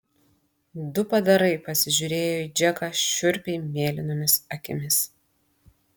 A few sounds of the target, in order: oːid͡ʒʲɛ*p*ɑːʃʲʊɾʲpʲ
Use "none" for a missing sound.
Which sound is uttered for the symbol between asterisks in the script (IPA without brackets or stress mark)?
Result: k